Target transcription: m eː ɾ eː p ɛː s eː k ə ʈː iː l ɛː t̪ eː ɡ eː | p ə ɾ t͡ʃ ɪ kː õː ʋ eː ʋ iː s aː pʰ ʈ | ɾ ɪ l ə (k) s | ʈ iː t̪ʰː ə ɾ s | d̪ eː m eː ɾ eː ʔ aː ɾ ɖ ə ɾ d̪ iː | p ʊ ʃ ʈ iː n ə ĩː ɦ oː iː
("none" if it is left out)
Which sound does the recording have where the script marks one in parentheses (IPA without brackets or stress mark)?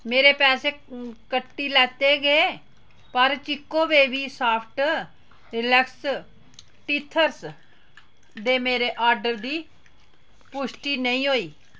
k